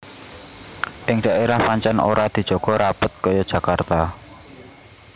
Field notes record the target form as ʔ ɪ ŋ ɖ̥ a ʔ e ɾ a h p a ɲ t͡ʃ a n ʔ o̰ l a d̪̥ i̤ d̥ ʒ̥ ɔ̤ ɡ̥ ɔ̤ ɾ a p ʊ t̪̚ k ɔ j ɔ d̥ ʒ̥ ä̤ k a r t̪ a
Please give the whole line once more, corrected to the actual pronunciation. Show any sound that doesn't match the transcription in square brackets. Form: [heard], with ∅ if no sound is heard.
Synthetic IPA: ʔ ɪ ŋ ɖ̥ a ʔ e ɾ a h p a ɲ t͡ʃ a n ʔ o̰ [ɾ] a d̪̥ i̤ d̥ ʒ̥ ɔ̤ ɡ̥ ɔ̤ ɾ a p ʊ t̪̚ k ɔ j ɔ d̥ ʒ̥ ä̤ k a r t̪ a